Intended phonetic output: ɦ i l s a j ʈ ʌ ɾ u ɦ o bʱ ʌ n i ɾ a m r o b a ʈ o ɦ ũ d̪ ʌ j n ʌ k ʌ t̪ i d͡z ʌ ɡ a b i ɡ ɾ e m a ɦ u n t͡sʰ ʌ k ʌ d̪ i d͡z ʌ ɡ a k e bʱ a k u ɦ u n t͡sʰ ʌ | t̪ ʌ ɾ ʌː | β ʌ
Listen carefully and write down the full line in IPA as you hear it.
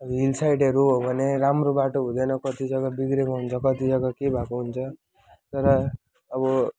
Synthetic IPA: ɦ i l s a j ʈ ʌ ɾ u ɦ o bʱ ʌ n e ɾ a m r o b a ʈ o ɦ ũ d̪ ʌ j n ʌ k ʌ t̪ i d͡z ʌ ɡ a b i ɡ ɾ e m a ɦ u n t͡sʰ ʌ k ʌ t̪ i d͡z ʌ ɡ a k e bʱ a k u ɦ u n t͡sʰ ʌ | t̪ ʌ ɾ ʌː | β ʌ